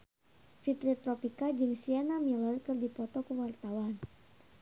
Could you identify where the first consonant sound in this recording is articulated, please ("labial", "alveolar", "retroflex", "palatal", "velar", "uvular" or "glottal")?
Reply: labial